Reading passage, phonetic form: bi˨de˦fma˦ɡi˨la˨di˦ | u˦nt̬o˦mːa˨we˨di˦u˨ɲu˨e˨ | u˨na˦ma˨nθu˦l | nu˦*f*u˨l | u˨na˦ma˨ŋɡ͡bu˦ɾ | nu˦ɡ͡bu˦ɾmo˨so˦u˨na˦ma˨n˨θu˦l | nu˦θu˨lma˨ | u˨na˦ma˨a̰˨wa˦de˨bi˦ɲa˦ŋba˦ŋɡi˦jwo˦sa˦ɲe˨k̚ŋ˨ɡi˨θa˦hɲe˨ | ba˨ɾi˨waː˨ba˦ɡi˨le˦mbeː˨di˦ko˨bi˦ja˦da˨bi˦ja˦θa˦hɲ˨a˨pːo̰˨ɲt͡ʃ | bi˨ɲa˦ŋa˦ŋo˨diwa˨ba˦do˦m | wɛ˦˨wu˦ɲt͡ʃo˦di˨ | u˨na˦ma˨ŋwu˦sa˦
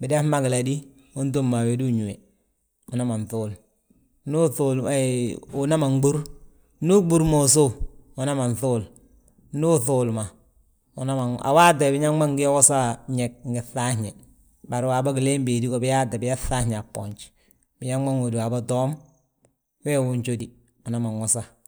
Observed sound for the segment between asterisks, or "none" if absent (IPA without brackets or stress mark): θ